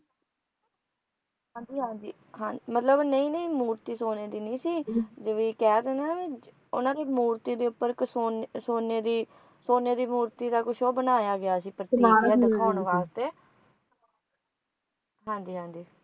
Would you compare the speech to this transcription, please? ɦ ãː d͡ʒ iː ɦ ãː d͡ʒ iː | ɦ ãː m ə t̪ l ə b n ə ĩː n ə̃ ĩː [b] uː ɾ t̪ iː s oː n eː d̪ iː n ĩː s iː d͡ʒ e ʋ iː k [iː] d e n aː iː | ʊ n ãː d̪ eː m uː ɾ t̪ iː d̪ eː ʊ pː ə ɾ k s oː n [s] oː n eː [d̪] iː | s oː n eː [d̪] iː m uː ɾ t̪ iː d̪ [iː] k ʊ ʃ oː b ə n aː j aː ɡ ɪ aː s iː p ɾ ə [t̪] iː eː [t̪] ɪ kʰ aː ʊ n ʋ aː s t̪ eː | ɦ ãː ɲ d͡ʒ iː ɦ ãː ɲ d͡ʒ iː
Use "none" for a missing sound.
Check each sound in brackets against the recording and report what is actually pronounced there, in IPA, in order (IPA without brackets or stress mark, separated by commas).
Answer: m, ɛː, s, d̪, d̪, aː, t̪, d̪